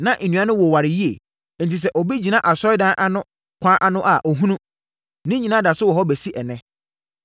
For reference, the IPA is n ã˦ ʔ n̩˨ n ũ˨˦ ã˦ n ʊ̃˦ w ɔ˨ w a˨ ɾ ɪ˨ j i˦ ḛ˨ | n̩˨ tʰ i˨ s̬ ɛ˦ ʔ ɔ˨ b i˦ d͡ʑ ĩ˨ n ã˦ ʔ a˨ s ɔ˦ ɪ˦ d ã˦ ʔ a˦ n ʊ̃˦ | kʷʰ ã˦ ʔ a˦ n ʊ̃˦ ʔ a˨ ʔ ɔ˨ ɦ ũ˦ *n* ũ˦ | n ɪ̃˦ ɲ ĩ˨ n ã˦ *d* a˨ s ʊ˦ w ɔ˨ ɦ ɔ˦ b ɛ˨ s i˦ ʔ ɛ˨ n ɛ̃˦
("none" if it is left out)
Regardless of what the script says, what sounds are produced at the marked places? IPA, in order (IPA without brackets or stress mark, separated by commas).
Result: n, d